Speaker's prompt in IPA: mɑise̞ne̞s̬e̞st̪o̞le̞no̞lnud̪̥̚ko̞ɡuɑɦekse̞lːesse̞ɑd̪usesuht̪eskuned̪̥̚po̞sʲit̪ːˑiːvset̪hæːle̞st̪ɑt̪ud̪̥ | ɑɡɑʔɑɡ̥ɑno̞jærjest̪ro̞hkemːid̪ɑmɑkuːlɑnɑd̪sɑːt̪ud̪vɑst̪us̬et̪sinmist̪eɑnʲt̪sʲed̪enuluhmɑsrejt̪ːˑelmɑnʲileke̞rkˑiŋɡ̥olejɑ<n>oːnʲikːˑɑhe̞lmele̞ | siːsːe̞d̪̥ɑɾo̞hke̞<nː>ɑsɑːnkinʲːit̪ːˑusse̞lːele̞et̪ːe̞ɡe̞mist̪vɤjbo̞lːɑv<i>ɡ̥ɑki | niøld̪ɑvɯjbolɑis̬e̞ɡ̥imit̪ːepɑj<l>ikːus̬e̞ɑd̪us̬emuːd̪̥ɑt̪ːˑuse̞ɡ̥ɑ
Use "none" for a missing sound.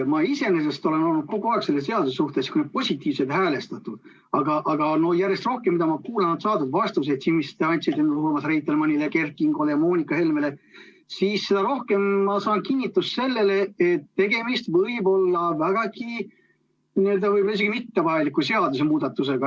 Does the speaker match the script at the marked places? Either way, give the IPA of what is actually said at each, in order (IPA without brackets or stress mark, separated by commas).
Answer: m, mː, æ, l